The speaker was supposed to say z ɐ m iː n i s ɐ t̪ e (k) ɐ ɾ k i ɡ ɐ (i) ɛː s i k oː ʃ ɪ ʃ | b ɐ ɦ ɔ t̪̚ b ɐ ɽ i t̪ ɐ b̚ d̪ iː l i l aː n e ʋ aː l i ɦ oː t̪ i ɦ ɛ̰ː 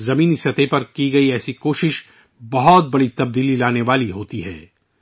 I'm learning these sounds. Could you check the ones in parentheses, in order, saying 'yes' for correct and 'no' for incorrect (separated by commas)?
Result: no, yes